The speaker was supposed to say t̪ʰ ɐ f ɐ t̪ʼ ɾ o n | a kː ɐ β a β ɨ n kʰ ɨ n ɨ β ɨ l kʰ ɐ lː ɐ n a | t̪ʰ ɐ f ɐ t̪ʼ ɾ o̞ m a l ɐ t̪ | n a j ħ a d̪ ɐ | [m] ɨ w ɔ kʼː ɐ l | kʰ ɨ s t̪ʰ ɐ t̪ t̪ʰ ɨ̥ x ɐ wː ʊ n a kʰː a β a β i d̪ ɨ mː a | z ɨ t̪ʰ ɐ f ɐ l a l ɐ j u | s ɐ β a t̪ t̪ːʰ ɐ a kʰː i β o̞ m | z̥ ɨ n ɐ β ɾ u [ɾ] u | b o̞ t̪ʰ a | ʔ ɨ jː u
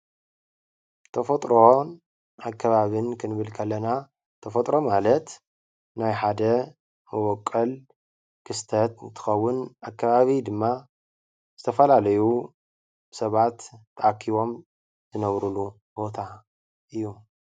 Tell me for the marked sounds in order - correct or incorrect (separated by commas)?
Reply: correct, incorrect